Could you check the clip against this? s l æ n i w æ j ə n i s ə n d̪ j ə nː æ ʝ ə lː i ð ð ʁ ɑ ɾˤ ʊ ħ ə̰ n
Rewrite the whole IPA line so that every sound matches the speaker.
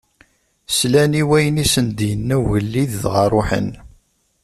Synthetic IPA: s l æ n i w æ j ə n i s ə n d̪ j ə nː æ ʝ ə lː i ð ð ʁ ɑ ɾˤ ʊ ħ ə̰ n